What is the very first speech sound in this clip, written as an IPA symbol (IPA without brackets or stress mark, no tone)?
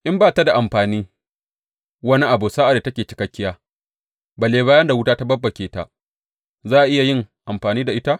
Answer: ʔ